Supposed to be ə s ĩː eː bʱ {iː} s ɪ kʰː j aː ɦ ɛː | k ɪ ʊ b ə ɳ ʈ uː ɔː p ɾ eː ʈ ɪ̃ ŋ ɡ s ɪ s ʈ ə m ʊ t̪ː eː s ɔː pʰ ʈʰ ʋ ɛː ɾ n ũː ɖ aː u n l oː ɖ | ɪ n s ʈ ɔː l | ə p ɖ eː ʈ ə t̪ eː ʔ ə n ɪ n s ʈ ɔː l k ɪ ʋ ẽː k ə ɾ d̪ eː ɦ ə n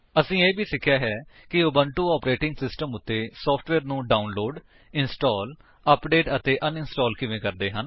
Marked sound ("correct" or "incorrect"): correct